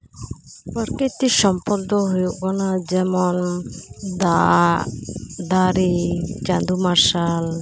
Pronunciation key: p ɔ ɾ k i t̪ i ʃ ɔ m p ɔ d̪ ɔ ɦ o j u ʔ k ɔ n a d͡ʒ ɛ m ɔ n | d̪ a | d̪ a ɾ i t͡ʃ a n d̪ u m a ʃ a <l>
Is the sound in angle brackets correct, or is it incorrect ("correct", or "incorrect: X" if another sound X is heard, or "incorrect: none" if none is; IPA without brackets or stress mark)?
correct